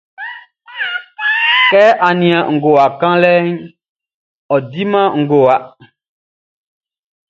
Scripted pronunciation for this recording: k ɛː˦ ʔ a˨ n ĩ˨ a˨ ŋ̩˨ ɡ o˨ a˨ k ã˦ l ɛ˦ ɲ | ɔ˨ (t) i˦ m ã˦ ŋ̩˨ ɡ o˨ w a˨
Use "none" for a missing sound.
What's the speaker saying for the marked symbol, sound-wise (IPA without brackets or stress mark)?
d